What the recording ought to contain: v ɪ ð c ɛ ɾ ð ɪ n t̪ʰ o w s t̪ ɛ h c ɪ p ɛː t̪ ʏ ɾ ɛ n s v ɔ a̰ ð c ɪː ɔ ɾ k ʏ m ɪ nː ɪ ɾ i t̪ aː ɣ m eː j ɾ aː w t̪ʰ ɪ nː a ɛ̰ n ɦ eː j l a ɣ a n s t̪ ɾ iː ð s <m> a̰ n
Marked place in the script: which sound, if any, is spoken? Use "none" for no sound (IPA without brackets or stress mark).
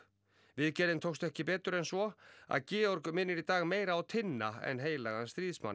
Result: m